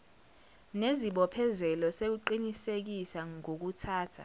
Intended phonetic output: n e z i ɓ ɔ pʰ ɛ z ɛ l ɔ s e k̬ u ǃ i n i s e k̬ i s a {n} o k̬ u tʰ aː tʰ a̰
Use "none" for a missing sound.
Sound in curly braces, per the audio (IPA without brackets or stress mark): ŋ